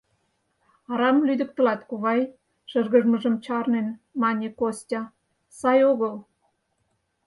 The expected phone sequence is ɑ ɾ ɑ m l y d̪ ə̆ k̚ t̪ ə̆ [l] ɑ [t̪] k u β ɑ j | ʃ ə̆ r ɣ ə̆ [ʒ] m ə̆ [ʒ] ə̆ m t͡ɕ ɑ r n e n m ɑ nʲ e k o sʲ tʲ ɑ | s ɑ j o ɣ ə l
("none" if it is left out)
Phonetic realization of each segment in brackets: l, t̪, ʒ, ʒ

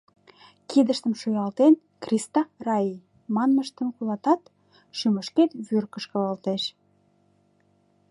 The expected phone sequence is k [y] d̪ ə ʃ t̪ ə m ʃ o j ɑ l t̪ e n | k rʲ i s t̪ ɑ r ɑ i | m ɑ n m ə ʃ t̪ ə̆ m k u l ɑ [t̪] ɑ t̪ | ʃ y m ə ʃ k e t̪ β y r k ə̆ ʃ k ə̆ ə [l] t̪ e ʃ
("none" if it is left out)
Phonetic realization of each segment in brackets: i, t̪, l

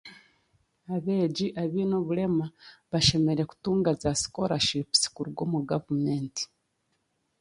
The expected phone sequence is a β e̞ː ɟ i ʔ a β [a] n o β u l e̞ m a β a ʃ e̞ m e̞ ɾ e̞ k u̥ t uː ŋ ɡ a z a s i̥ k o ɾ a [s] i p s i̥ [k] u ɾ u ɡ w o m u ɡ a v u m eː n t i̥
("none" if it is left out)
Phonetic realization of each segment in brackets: i, ʃ, k

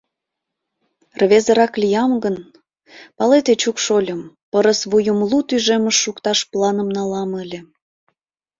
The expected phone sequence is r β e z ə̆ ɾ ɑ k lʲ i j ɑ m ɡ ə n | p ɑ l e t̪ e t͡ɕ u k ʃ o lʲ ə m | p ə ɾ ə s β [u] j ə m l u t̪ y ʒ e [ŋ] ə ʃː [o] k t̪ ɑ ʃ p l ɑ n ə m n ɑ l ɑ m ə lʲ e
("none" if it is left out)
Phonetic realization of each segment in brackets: u, m, u

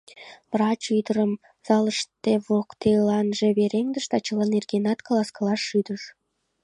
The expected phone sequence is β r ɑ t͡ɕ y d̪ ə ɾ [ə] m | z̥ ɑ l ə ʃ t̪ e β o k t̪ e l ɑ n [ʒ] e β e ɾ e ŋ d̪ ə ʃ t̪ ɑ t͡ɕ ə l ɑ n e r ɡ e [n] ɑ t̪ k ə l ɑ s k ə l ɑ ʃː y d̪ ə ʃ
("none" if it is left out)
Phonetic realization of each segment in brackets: ə, ʒ, n

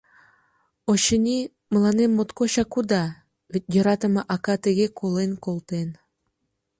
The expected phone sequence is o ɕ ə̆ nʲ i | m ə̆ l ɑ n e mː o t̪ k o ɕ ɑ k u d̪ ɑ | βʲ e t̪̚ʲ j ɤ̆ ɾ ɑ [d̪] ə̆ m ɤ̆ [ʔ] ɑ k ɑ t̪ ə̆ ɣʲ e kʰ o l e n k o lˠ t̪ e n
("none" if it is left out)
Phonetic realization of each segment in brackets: t̪, ʔ

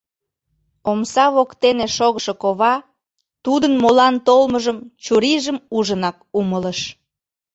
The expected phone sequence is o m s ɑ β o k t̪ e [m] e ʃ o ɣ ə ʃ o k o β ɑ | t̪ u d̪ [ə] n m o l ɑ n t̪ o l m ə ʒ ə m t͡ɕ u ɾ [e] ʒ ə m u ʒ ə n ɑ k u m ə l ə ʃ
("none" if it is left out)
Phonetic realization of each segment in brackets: n, ə, i

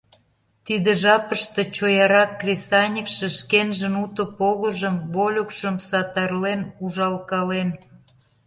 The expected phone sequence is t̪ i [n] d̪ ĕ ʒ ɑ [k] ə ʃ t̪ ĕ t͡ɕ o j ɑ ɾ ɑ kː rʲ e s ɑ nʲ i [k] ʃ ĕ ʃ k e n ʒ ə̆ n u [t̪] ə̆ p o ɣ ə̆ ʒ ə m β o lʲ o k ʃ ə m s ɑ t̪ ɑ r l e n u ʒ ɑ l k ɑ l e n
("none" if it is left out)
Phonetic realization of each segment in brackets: none, p, k, t̪

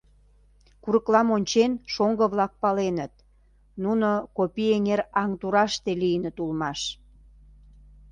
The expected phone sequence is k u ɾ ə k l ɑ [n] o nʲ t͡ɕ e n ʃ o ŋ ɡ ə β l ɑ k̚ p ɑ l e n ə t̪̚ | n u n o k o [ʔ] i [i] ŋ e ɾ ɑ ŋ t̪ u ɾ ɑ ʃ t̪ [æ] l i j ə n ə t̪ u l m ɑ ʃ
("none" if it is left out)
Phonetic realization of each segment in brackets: m, p, e, e

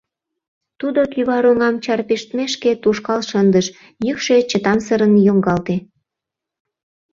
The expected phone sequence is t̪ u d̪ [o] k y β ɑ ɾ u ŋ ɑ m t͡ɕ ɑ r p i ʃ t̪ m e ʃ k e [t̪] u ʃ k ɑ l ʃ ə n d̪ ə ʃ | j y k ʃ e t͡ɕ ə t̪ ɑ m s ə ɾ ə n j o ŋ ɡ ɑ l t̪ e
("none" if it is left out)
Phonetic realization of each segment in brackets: o, t̪

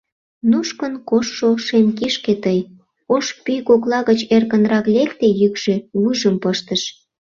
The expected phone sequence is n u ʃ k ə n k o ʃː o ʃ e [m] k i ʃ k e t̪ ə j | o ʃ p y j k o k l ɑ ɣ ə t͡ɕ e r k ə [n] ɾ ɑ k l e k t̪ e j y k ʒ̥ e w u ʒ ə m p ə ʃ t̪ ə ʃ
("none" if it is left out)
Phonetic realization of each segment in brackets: m, n

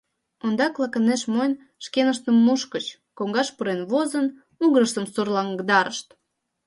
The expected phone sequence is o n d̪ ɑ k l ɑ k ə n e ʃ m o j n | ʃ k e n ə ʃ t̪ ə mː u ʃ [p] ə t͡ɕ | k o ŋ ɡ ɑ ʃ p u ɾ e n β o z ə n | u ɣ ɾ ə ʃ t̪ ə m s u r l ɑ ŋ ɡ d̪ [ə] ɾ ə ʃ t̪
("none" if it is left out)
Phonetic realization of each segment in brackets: k, ɑ

